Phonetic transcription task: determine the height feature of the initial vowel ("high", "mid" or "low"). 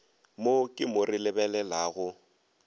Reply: mid